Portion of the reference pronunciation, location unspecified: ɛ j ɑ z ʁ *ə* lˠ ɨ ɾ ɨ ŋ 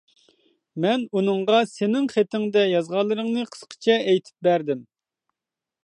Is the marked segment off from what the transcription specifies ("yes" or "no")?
yes